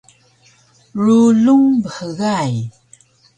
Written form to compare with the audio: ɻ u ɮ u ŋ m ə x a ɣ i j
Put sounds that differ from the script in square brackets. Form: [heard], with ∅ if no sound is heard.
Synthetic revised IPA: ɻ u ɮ u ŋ [b] ə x [ə] ɣ [a] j